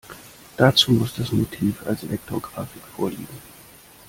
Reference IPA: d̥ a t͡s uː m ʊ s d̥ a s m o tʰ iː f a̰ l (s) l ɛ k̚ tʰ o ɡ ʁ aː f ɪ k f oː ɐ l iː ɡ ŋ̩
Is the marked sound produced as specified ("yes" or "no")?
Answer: yes